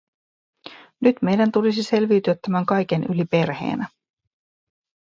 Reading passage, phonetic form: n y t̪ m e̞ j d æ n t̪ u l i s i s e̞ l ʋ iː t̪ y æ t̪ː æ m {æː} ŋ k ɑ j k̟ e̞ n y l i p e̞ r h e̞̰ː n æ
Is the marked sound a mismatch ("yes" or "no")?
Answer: yes